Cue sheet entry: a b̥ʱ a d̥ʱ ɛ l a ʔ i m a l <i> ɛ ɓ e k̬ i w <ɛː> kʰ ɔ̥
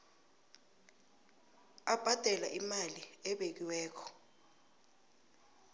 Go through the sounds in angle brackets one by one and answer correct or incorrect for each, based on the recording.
correct, correct

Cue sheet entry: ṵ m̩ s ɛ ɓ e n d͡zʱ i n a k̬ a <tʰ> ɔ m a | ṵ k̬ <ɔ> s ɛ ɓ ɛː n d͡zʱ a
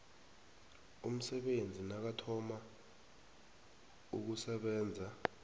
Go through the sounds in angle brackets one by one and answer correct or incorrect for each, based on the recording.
correct, incorrect: u

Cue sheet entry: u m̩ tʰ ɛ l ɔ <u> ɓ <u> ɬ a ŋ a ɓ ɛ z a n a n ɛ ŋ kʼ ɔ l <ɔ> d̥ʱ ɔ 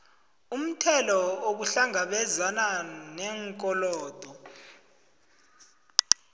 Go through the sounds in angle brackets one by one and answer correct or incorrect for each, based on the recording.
incorrect: o, correct, incorrect: ɔː

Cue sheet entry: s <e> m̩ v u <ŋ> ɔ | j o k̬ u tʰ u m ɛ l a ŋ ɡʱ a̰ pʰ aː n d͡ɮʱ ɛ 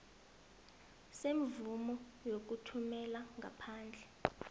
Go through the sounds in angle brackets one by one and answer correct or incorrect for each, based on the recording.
correct, incorrect: m

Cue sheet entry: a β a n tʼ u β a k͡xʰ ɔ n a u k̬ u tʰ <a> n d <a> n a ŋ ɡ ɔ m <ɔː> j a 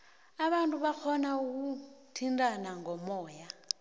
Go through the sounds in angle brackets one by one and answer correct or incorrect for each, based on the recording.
incorrect: i, correct, correct

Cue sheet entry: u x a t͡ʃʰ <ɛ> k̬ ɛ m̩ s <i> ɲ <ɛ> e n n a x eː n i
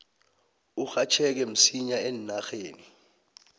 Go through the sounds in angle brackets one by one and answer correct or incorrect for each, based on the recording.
correct, correct, incorrect: a

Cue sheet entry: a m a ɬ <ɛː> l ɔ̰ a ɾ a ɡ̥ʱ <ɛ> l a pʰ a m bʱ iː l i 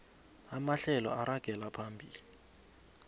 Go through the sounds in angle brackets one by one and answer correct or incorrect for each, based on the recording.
incorrect: ɛ, correct

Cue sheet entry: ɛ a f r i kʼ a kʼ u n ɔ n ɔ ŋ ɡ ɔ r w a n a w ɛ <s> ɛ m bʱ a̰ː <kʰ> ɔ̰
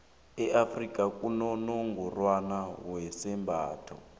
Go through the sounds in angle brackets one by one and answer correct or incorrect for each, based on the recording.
correct, incorrect: tʰ

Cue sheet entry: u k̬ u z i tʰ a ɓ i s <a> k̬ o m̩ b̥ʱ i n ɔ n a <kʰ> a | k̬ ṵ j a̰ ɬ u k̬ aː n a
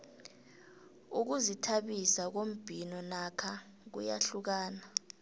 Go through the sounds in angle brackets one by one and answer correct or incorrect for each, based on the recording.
correct, correct

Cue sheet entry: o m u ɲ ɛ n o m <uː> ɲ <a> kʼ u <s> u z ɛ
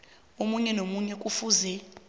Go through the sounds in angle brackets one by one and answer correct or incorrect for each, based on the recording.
incorrect: u, incorrect: ɛ, incorrect: f

